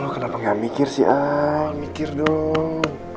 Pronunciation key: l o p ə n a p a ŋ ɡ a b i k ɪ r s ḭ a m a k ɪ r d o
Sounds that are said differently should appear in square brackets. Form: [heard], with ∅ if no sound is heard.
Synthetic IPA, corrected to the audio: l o [k] ə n a p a ŋ ɡ a [m] i k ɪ r s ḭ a m [i] k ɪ r d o